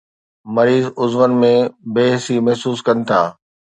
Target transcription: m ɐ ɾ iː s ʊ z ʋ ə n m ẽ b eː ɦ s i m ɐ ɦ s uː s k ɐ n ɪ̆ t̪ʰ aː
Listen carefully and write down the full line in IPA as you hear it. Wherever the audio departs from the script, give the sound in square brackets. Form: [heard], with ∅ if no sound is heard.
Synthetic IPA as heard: m ɐ ɾ iː [z] ʊ z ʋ ə n m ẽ b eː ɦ s i m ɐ ɦ s uː s k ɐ n ɪ̆ t̪ʰ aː